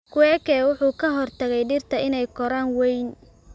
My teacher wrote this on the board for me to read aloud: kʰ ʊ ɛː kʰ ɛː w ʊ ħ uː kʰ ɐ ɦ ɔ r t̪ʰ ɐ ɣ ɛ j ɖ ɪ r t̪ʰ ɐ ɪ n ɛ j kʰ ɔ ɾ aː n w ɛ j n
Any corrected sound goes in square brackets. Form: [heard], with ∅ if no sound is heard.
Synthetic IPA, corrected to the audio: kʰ ʊ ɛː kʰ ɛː w ʊ ħ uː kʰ ɐ ɦ ɔ r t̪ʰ ɐ ɣ ɛ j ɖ ɪ r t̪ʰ ɐ ɪ n ɛ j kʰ ɔ ɾ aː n w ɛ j n